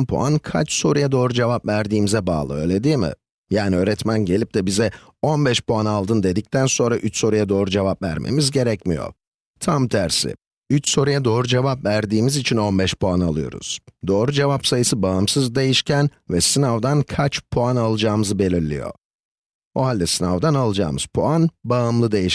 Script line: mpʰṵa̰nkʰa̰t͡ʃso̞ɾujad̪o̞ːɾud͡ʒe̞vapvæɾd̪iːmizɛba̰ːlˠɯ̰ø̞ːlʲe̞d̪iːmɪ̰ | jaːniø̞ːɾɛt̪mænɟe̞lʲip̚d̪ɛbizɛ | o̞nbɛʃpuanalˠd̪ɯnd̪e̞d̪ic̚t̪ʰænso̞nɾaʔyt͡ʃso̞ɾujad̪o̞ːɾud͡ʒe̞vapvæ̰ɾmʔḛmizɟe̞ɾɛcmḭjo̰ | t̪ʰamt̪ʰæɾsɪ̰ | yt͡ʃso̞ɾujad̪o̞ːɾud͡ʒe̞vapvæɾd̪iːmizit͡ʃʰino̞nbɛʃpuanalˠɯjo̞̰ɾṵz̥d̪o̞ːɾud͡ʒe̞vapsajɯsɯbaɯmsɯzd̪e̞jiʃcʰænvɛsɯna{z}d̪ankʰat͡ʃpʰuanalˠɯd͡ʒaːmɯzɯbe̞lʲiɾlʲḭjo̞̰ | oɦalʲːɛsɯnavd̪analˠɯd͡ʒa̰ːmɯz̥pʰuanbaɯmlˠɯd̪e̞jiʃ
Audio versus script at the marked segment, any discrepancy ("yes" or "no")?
yes